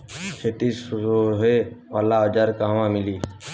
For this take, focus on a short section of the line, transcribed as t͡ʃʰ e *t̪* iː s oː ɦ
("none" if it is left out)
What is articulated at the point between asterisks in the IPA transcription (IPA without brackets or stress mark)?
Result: t̪